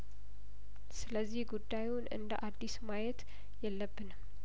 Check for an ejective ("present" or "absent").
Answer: absent